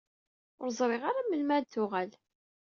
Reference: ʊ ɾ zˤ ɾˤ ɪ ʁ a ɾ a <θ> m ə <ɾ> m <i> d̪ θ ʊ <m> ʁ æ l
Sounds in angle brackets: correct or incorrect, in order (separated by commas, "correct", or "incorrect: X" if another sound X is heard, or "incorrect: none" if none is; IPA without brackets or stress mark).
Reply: incorrect: none, incorrect: l, incorrect: æ, incorrect: none